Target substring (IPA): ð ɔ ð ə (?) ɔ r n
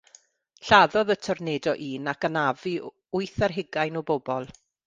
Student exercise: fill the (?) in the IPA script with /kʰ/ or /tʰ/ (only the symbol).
tʰ